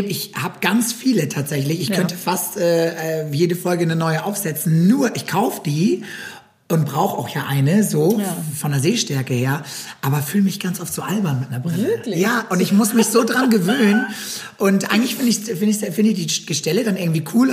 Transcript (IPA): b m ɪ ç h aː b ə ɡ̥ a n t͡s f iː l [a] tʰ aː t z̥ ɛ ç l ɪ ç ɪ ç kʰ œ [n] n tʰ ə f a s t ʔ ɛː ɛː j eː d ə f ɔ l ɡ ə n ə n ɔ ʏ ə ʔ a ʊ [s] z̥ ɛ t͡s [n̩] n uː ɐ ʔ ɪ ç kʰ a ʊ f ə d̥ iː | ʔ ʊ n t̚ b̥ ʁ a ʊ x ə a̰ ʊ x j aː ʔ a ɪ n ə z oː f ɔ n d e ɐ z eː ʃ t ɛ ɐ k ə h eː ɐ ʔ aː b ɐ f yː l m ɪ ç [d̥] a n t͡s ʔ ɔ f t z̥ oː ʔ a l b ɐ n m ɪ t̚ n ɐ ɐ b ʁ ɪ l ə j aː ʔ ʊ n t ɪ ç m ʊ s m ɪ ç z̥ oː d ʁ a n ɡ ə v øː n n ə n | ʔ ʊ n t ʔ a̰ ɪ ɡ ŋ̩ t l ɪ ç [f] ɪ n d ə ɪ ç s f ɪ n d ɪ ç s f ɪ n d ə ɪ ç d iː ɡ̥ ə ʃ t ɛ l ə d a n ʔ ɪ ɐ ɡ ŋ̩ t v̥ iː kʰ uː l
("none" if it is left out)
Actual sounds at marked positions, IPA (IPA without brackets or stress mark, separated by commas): ə, n, f, n̩, ɡ̥, f